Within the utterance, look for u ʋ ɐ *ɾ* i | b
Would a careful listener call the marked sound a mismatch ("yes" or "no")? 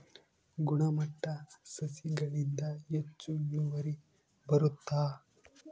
no